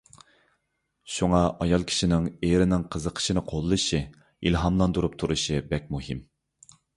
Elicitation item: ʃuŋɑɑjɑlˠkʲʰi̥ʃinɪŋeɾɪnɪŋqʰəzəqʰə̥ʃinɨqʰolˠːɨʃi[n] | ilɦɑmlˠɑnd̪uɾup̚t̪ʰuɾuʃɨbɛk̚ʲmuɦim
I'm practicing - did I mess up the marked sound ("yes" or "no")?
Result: yes